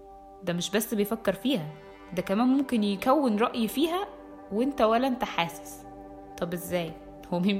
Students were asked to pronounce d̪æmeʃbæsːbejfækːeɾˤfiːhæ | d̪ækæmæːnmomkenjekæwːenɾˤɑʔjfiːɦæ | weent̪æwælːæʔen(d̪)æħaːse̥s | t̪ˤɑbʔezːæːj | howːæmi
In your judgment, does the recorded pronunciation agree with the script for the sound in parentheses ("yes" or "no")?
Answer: no